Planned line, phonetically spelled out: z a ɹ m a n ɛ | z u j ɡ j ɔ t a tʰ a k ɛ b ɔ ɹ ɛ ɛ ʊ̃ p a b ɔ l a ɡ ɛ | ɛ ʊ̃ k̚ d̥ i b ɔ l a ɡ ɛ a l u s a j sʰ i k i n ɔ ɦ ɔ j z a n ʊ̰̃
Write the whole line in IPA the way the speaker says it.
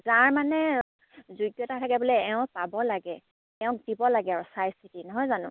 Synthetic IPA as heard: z a ɹ m a n ɛ | z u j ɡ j ɔ t a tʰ a k ɛ b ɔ l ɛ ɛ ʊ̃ p a b ɔ l a ɡ ɛ | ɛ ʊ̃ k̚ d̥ i b ɔ l a ɡ ɛ a ɹ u s a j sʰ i t i n ɔ ɦ ɔ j z a n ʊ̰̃